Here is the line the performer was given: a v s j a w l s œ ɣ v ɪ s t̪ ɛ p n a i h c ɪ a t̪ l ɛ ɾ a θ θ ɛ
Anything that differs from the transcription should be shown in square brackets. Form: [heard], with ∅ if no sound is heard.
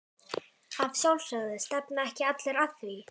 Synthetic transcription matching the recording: a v s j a w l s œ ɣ [ð] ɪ s t̪ ɛ p n a [ɛ] h c ɪ a t̪ l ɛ ɾ a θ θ [i]